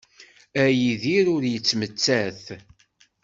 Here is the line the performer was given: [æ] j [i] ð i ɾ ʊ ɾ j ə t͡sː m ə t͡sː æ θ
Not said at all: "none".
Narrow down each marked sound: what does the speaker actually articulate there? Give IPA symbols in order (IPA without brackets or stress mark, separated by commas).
æ, i